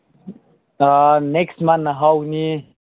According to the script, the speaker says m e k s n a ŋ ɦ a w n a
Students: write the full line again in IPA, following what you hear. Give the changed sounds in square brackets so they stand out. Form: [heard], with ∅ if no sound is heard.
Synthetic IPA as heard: [n] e k s [m] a [n] ɦ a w n [i]